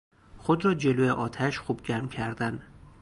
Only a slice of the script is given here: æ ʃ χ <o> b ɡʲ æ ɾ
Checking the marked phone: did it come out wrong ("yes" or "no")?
yes